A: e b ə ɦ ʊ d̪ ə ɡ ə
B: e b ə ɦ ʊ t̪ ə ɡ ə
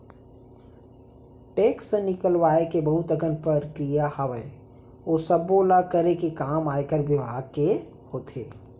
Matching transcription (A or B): B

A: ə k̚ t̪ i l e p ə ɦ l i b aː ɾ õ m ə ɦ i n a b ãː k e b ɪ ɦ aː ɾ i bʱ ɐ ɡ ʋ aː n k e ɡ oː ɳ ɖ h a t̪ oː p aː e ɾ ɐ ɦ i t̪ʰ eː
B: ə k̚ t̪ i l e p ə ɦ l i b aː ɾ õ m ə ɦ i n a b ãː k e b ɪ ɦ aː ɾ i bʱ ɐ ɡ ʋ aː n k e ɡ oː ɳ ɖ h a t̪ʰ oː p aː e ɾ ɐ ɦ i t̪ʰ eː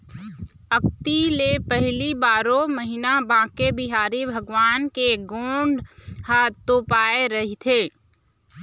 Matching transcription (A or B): A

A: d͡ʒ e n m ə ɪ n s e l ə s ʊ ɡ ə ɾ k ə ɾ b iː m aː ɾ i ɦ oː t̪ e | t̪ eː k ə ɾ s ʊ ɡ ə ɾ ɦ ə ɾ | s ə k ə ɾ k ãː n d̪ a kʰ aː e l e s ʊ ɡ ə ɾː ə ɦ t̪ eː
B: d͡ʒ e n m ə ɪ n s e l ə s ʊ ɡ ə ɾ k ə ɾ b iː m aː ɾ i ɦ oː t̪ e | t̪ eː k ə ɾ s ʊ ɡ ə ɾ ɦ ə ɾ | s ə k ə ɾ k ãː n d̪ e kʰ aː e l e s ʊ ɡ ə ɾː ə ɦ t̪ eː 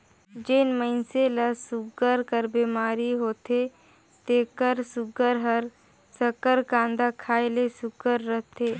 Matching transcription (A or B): A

